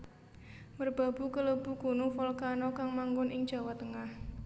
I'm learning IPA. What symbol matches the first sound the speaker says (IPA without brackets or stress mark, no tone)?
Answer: m